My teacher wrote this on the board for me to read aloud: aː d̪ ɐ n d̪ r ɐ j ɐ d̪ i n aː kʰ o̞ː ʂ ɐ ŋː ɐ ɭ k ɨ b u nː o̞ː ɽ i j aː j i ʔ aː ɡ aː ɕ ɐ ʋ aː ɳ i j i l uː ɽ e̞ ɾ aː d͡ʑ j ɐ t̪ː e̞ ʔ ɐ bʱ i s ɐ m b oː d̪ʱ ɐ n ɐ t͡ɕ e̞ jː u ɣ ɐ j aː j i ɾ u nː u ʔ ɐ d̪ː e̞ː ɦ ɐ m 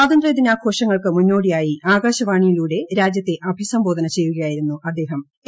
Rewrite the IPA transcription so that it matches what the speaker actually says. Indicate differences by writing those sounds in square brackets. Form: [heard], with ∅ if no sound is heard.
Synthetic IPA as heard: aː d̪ ɐ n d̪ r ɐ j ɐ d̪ i n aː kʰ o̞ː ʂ ɐ ŋː ɐ ɭ k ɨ [m] u nː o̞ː ɽ i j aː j i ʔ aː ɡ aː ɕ ɐ ʋ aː ɳ i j i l uː ɽ e̞ ɾ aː d͡ʑ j ɐ t̪ː e̞ ʔ ɐ bʱ i s ɐ m b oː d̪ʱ ɐ n ɐ t͡ɕ e̞ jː u ɣ ɐ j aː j i ɾ u nː u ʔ ɐ d̪ː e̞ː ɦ ɐ m